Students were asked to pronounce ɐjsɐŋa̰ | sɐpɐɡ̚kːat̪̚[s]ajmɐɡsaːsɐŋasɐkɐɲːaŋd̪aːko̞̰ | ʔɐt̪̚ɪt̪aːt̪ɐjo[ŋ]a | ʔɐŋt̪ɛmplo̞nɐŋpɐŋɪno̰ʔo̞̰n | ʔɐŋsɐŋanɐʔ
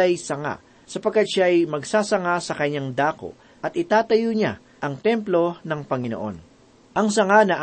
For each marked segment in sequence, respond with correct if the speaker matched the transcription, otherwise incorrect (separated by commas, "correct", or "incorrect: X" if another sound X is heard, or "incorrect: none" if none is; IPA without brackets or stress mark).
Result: incorrect: ʃ, incorrect: ɲ